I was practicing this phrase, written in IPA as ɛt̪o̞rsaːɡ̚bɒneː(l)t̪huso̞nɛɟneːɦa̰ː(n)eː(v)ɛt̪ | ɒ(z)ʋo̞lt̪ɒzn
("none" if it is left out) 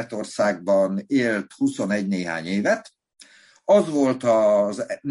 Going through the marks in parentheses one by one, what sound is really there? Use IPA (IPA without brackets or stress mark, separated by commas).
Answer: l, ɲ, v, z